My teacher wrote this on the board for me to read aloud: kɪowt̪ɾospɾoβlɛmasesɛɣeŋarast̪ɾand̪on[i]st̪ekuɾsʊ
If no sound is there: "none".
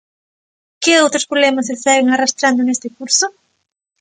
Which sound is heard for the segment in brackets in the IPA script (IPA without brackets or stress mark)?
e